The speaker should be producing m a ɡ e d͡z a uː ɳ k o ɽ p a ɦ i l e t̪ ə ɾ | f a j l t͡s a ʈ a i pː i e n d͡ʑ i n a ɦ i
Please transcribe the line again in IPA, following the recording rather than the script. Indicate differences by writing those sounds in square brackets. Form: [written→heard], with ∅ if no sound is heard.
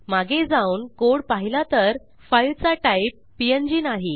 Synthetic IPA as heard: m a ɡ e d͡z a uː [ɳ→n] k o ɽ p a ɦ i l [e→a] t̪ ə ɾ | f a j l t͡s a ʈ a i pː i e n d͡ʑ i n a ɦ i